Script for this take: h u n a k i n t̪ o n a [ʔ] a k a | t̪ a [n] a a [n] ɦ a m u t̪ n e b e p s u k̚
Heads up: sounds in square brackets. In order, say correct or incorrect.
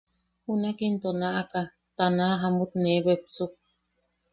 correct, correct, incorrect: none

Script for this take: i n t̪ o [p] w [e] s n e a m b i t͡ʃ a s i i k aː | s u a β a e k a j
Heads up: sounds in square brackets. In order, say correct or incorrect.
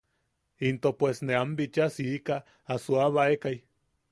correct, correct

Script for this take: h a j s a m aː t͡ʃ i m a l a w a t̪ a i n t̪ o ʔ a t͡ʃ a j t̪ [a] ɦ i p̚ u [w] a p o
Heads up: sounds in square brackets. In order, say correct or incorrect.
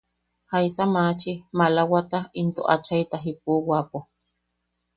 correct, correct

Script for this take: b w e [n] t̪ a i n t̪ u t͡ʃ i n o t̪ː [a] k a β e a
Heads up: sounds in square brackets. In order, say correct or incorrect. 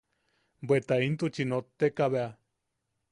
incorrect: none, incorrect: e

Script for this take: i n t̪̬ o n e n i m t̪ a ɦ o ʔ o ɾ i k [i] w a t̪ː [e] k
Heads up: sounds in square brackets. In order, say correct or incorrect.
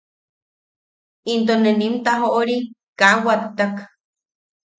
incorrect: a, incorrect: a

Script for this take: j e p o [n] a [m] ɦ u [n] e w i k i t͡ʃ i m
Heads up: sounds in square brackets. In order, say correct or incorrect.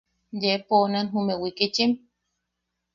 correct, incorrect: n, incorrect: m

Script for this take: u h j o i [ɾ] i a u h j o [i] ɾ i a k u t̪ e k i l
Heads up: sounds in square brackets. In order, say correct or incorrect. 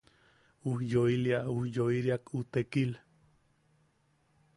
incorrect: l, correct

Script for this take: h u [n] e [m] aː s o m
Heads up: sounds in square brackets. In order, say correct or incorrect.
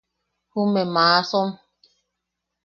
incorrect: m, correct

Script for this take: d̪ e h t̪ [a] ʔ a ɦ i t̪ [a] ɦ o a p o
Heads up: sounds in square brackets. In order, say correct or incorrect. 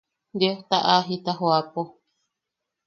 correct, correct

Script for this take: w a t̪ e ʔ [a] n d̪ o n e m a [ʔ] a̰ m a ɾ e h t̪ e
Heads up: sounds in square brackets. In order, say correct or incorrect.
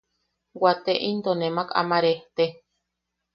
incorrect: i, incorrect: k

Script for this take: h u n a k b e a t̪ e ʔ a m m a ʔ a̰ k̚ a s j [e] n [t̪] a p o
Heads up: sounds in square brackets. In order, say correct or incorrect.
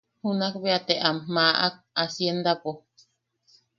correct, incorrect: d̪

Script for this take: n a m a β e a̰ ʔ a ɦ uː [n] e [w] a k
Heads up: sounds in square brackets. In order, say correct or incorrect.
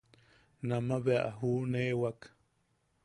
correct, correct

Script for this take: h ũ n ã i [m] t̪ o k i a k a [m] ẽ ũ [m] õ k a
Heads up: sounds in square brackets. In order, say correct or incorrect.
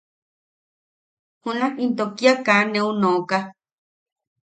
incorrect: n, incorrect: n, incorrect: n

